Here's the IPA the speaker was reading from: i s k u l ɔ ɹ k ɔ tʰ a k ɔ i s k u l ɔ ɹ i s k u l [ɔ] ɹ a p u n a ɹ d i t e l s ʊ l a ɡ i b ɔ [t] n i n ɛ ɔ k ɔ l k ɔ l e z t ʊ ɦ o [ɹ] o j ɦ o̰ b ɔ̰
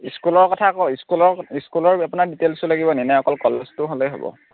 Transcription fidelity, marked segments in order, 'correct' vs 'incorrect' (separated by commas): correct, incorrect, incorrect